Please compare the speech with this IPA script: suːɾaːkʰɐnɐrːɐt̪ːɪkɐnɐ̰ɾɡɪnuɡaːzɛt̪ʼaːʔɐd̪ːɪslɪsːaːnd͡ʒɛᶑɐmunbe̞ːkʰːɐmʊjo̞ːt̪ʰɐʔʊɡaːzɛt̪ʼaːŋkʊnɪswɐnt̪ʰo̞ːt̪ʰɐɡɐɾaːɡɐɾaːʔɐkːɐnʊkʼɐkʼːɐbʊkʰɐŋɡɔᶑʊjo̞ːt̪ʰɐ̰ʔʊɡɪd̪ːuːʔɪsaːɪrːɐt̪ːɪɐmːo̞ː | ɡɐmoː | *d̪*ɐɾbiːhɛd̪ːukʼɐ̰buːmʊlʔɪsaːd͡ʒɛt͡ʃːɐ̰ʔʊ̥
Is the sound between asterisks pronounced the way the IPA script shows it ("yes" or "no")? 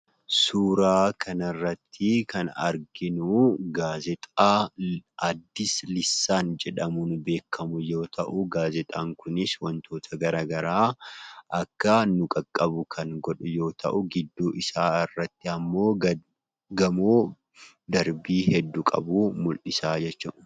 yes